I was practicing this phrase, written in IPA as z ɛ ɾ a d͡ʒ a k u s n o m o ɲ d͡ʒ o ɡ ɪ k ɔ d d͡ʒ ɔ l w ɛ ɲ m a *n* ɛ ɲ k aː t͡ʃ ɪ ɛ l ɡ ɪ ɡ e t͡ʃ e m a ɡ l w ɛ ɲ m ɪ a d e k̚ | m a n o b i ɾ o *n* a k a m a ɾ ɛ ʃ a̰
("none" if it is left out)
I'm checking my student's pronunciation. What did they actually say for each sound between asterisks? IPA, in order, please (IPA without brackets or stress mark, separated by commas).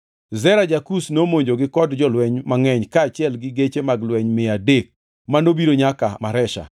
ŋ, ɲ